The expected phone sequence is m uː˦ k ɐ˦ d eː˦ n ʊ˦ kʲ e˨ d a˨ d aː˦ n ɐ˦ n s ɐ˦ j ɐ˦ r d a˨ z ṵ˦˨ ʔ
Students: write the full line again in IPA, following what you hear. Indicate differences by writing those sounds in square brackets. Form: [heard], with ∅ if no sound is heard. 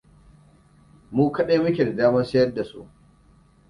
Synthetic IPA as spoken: m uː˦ k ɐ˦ [ɗ] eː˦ [m] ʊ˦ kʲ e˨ d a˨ d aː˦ [m] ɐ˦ n s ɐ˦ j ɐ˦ r d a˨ [s] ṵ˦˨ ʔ